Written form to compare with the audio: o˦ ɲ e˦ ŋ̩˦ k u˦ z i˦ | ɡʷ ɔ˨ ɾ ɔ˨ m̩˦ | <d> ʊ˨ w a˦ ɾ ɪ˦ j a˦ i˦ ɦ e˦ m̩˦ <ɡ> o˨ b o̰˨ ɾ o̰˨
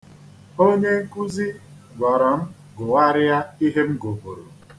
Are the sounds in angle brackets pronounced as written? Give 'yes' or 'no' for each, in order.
no, yes

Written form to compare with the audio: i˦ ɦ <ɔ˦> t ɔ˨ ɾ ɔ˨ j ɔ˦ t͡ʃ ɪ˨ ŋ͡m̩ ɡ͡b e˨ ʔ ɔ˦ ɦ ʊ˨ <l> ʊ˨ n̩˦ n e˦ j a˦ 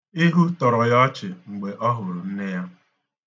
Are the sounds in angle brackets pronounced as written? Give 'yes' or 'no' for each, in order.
no, no

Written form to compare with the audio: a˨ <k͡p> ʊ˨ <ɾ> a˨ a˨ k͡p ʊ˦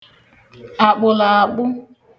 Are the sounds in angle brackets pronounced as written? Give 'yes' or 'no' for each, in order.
yes, no

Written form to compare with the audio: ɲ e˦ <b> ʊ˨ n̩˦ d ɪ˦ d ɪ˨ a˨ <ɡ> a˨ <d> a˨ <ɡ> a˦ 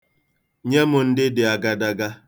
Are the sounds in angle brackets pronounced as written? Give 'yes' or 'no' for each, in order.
no, yes, yes, yes

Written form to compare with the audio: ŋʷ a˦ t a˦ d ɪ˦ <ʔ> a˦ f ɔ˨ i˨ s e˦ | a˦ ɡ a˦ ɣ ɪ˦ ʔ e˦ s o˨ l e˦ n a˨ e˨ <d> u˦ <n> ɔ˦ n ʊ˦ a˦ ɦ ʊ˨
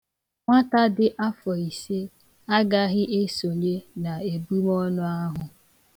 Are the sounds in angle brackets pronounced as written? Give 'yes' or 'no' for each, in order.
yes, no, no

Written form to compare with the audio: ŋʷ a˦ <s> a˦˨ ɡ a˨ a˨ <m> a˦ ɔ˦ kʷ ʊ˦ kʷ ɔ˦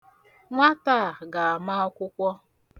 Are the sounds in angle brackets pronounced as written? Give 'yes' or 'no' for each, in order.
no, yes

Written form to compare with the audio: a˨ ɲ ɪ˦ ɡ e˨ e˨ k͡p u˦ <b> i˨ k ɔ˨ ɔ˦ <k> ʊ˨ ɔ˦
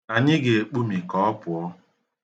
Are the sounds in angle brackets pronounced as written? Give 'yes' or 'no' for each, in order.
no, no

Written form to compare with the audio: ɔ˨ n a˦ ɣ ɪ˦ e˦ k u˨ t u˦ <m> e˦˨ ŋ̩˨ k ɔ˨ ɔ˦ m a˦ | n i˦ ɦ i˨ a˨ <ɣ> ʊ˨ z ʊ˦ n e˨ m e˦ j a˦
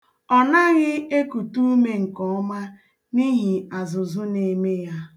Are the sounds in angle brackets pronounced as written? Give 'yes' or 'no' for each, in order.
yes, no

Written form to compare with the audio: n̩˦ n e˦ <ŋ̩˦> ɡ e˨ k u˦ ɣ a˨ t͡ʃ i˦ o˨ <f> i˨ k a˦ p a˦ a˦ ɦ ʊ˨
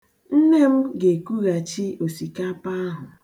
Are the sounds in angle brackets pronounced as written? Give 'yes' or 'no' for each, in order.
no, no

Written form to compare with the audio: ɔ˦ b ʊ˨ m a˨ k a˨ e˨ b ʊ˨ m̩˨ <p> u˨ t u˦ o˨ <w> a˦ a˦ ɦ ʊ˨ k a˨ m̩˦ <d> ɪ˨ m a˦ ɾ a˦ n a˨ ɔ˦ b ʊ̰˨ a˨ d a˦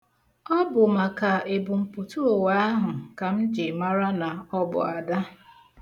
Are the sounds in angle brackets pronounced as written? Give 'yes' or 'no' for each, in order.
yes, yes, no

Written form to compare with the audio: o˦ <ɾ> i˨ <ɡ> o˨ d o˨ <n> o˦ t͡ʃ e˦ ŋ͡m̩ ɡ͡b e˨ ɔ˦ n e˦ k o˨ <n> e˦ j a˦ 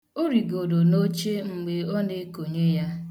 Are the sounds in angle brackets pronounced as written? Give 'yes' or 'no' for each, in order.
yes, yes, yes, no

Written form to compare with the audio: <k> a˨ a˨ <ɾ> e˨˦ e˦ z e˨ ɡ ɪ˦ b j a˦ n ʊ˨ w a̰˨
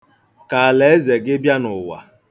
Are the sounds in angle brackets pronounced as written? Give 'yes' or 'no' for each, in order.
yes, no

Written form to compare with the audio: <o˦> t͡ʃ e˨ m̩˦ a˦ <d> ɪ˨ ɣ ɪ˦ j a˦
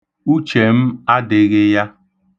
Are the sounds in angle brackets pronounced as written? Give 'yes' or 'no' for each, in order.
no, yes

